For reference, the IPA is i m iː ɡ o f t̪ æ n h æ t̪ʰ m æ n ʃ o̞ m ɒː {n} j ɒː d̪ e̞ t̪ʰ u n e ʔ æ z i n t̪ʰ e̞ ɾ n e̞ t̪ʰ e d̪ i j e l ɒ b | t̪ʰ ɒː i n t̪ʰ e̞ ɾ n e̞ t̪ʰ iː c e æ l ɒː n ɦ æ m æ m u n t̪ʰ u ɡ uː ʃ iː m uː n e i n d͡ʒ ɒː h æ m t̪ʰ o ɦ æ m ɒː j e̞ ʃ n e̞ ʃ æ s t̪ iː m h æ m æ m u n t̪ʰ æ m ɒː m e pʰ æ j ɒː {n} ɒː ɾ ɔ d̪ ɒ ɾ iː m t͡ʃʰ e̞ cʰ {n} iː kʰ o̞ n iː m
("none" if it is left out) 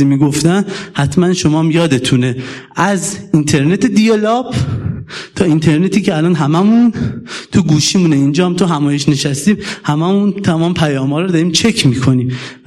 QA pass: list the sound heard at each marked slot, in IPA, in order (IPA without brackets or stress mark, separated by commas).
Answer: m, m, m